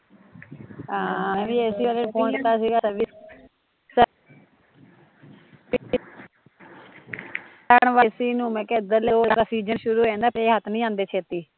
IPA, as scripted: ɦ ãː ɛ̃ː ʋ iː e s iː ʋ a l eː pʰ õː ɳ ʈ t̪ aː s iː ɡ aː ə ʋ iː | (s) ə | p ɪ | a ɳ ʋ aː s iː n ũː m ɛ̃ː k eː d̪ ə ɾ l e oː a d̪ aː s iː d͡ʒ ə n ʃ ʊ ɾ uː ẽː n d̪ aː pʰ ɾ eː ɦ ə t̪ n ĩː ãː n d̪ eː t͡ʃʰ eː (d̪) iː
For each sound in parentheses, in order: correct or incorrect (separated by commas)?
correct, incorrect